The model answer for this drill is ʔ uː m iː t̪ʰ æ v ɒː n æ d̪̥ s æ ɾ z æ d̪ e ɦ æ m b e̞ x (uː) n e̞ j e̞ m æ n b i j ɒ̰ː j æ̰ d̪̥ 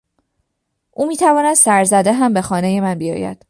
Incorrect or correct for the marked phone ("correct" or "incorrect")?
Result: incorrect